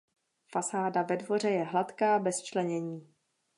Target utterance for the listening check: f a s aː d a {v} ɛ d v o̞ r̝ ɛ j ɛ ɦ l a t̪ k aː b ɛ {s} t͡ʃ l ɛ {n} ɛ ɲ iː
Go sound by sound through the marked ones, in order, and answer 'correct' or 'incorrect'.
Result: correct, correct, incorrect: ɲ

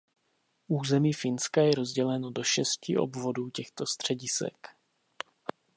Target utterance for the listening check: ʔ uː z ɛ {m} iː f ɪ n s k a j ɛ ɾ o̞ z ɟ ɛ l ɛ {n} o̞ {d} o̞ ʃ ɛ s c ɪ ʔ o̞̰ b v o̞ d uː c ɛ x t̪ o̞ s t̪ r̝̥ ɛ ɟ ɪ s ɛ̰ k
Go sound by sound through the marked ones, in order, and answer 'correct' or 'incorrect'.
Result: correct, correct, correct

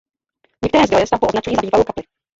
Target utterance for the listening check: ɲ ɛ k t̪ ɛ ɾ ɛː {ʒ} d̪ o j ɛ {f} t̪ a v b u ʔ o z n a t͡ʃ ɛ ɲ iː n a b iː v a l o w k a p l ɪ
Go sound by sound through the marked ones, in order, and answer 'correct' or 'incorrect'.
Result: incorrect: z, incorrect: s

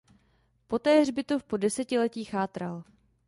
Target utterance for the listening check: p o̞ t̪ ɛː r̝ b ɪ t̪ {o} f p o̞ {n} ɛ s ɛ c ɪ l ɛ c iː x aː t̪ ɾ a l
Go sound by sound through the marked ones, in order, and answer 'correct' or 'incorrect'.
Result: correct, incorrect: d

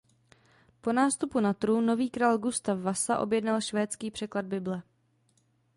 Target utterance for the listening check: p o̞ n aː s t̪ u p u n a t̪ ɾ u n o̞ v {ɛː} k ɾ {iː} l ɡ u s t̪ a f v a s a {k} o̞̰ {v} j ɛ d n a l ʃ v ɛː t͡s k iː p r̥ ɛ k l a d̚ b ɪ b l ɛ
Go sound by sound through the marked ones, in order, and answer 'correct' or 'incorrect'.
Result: incorrect: iː, incorrect: aː, incorrect: ʔ, incorrect: b

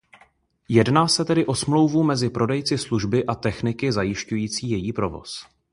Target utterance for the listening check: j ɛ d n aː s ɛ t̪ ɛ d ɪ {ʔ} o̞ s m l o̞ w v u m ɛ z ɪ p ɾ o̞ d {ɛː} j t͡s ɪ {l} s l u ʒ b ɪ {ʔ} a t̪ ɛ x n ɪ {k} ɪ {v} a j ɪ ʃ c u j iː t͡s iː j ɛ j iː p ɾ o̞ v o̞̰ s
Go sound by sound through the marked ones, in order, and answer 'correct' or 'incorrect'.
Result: correct, incorrect: ɛ, incorrect: none, correct, correct, incorrect: z

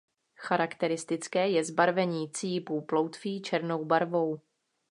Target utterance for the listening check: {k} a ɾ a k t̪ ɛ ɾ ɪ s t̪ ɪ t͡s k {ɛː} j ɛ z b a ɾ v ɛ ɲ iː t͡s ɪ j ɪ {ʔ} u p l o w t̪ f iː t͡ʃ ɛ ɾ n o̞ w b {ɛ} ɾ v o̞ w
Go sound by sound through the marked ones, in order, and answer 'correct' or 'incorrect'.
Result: incorrect: x, correct, incorrect: p, incorrect: a

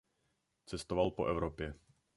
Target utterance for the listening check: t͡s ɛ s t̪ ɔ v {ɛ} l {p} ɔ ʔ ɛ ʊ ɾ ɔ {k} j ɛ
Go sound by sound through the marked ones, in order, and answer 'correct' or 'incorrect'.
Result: incorrect: a, correct, incorrect: p

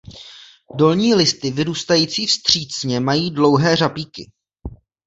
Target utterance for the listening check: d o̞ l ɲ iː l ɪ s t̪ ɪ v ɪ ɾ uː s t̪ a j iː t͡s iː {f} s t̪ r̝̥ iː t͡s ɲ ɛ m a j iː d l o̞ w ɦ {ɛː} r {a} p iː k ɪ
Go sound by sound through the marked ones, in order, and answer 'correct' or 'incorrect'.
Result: correct, correct, correct

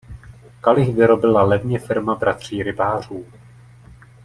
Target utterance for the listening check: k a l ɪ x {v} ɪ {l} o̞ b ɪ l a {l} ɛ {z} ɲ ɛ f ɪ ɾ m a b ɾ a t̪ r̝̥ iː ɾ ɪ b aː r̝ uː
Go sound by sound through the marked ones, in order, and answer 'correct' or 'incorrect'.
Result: correct, incorrect: ɾ, correct, incorrect: v

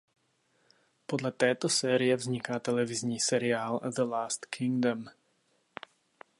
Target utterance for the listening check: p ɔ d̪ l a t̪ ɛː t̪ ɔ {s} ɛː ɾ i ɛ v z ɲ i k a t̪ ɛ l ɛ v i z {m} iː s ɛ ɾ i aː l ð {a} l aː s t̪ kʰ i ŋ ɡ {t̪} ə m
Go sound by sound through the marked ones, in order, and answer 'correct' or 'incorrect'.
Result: correct, incorrect: ɲ, incorrect: ə, incorrect: d̪

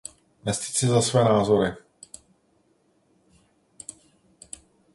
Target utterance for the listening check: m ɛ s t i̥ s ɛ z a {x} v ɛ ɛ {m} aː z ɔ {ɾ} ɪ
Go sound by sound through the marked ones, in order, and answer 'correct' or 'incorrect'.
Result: incorrect: s, incorrect: n, correct

